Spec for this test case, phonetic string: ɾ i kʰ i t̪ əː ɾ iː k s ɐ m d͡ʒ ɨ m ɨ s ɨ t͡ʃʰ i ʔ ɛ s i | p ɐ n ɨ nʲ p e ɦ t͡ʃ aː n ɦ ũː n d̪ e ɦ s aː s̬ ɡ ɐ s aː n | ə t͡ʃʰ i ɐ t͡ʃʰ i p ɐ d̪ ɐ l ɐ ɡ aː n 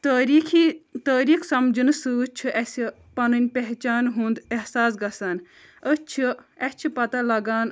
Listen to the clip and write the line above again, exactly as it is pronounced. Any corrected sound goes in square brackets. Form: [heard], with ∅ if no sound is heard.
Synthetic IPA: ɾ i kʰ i t̪ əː ɾ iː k s ɐ m d͡ʒ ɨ [n] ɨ s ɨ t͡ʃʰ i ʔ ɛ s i | p ɐ n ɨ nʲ p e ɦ t͡ʃ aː n ɦ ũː n d̪ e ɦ s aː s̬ ɡ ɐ s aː n | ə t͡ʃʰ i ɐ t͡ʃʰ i p ɐ [t̪] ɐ l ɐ ɡ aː n